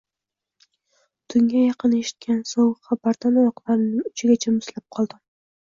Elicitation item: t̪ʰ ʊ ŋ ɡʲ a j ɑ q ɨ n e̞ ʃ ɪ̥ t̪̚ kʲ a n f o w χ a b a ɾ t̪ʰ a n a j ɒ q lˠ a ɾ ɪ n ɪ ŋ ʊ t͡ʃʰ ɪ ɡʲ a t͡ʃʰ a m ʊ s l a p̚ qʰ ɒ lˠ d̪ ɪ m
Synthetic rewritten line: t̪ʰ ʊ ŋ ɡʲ a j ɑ q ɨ n e̞ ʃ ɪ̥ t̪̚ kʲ a n s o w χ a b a ɾ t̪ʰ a n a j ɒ q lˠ a ɾ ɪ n ɪ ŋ ʊ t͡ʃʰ ɪ ɡʲ a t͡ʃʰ a m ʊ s l a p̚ qʰ ɒ lˠ d̪ ɪ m